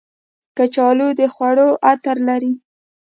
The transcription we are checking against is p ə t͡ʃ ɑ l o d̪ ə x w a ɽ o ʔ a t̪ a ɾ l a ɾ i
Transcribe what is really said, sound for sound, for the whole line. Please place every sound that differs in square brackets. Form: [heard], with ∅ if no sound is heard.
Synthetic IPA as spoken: [k] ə t͡ʃ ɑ l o d̪ ə x w a ɽ o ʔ a t̪ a ɾ l a ɾ i

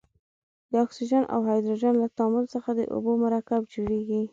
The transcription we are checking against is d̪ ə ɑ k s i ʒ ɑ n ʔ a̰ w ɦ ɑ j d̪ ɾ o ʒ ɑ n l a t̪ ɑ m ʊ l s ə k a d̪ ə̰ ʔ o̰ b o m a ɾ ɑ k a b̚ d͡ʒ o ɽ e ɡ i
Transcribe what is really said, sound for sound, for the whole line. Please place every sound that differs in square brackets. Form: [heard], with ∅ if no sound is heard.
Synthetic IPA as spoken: d̪ ə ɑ k s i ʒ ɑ n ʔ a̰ w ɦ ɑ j d̪ ɾ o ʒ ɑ n l a t̪ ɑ m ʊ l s ə [x] a d̪ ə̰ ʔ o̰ b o m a ɾ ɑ k a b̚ d͡ʒ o ɽ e ɡ i

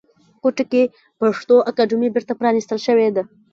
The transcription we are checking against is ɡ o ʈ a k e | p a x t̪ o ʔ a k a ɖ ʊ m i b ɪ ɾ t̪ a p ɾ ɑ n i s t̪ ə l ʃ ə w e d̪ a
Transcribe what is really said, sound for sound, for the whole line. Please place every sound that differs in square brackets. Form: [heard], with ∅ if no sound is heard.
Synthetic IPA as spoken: [k] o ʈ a k e | p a [ʂ] t̪ o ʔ a k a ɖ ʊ m i b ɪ ɾ t̪ a p ɾ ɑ n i s t̪ ə l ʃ ə w e d̪ a

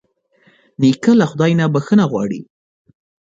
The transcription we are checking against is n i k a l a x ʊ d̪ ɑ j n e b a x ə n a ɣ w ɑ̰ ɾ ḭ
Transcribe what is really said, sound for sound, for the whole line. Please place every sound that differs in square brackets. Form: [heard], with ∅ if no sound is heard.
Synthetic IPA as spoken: n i k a l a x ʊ d̪ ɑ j n [a] b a x ə n a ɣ w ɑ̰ [ɽ] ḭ

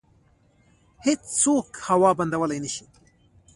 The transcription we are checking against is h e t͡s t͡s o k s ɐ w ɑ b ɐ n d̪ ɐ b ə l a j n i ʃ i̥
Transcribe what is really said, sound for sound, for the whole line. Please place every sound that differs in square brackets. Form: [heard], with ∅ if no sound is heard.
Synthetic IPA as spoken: h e t͡s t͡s o k [h] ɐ w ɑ b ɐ n d̪ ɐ [w] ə l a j n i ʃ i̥

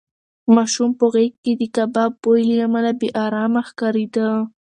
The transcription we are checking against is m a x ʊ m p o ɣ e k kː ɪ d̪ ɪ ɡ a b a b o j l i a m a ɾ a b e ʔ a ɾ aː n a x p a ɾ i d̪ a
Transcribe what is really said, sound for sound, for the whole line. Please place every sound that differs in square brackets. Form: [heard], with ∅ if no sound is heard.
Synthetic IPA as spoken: m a [ʃ] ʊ m p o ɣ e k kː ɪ d̪ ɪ [k] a b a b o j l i a m a [l] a b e ʔ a ɾ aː [m] a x [k] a ɾ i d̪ a

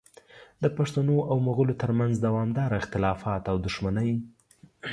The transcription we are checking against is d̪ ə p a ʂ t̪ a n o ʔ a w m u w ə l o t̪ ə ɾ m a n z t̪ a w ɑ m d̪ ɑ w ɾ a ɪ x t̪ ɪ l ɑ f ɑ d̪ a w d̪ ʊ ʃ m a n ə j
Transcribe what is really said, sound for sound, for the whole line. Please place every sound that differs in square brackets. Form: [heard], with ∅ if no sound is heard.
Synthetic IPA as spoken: d̪ ə p a ʂ t̪ a n o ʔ a w m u [ɣ] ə l o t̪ ə ɾ m a n z [d̪] a w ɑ m d̪ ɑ [∅] ɾ a ɪ x t̪ ɪ l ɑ f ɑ [t̪] a w d̪ ʊ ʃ m a n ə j

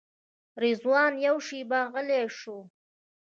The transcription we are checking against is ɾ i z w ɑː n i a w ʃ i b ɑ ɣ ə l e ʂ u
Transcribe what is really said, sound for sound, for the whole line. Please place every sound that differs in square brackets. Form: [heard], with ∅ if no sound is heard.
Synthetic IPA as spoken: ɾ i z w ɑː n [j] a w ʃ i b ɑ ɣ ə l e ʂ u

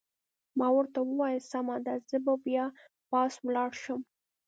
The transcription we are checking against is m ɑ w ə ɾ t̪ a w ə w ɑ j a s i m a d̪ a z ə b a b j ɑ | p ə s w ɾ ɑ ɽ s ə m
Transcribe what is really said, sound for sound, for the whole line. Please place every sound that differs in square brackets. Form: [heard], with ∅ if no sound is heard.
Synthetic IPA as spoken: m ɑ w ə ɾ t̪ a w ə w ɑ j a s [a] m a d̪ a z ə b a b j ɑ | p [ɑ] s w [l] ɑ ɽ [ʃ] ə m

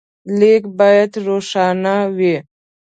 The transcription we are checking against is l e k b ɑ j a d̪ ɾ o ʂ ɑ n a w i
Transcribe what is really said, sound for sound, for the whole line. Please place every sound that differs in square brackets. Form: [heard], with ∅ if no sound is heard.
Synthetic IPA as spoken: l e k b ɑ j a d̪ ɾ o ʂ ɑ n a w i

